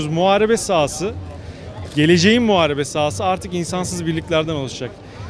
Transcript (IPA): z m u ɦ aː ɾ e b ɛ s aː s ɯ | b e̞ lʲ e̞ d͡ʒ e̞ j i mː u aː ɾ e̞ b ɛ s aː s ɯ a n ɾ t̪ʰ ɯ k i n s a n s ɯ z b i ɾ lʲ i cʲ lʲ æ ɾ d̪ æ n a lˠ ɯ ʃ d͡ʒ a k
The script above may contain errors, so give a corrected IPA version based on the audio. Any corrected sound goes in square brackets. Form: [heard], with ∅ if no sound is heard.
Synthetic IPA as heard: z m u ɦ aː ɾ e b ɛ s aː s ɯ | [ɟ] e̞ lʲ e̞ d͡ʒ e̞ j i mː u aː ɾ e̞ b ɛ s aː s ɯ a [∅] ɾ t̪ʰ ɯ k i n s a n s ɯ z b i ɾ lʲ i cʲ lʲ æ ɾ d̪ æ n a lˠ ɯ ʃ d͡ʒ a k